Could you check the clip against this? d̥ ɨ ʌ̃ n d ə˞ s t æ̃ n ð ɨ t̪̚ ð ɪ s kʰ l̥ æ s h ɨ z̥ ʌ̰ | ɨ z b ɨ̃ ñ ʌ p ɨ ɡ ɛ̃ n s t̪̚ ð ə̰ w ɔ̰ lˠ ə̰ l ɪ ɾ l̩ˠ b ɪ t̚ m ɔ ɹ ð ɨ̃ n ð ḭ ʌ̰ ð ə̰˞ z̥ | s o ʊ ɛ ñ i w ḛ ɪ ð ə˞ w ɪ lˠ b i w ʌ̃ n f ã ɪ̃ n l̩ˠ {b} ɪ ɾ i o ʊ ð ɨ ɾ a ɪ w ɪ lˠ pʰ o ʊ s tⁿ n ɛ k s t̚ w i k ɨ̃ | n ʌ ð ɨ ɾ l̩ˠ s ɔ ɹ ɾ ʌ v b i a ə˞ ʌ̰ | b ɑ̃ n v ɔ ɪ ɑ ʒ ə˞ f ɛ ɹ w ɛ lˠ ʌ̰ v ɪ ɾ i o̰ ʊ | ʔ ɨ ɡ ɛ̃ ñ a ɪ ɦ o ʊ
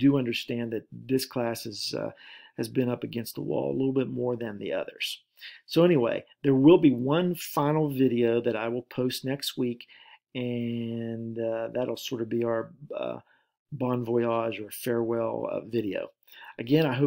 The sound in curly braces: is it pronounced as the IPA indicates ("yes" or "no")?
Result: no